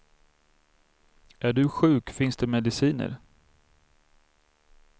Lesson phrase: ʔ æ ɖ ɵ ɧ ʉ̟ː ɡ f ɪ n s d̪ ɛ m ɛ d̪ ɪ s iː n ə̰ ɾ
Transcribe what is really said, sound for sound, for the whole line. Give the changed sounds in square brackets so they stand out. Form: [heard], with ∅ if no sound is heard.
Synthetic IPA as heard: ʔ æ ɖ ɵ ɧ ʉ̟ː [k] f ɪ n s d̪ ɛ m ɛ d̪ ɪ s iː n ə̰ ɾ